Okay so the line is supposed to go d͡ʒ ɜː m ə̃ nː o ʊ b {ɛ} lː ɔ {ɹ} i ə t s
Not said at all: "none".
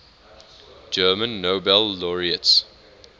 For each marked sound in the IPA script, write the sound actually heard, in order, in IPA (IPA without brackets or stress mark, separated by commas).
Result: ɛ, ɹ